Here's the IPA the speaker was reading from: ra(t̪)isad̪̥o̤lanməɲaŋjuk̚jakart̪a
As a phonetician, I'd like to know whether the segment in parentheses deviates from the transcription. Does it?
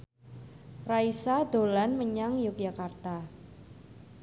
yes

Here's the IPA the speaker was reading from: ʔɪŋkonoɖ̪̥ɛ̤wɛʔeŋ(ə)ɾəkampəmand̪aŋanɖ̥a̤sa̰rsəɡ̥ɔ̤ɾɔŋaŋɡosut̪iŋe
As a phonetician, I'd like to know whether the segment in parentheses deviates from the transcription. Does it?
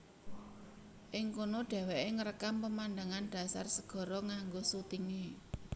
no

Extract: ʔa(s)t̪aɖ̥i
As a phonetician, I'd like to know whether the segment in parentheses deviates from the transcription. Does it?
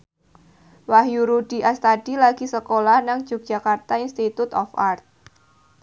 no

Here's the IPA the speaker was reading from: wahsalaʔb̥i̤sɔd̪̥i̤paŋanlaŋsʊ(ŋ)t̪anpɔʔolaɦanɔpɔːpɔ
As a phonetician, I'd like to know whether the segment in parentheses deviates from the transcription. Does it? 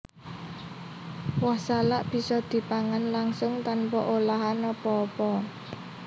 no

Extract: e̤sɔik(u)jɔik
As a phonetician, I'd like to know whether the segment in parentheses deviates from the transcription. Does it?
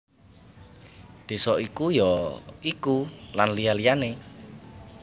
no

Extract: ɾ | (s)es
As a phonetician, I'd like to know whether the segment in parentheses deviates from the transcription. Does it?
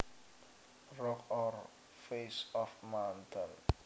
yes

